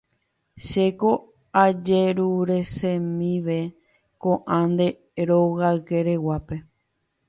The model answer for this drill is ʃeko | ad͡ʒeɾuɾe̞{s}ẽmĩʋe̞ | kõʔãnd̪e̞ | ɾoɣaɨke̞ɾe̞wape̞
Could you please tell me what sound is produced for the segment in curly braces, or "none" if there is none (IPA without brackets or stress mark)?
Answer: s